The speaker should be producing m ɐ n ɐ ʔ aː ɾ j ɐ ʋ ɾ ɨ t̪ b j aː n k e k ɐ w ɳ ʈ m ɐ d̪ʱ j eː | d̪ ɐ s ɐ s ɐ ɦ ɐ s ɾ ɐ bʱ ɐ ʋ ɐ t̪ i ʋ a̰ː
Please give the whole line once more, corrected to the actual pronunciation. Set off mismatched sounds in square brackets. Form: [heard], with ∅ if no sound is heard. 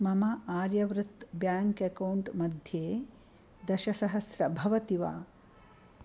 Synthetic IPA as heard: m ɐ [m] ɐ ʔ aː ɾ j ɐ ʋ ɾ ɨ t̪ b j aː [ŋ] k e k ɐ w ɳ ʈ m ɐ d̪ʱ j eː | d̪ ɐ [ʃ] ɐ s ɐ ɦ ɐ s ɾ ɐ bʱ ɐ ʋ ɐ t̪ i ʋ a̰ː